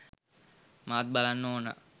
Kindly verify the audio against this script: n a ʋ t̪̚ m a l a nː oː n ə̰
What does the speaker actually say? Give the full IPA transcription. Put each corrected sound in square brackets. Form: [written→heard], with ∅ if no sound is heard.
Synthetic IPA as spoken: [n→m] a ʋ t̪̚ [m→b] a l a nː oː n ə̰